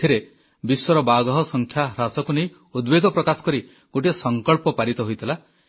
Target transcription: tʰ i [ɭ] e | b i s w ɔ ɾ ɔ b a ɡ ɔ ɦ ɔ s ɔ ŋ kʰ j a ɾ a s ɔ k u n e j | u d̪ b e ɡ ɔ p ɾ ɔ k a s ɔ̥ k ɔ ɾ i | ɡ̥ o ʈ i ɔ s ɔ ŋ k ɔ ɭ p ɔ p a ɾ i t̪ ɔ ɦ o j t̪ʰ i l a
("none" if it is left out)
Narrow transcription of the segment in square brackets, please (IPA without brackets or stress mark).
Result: ɾ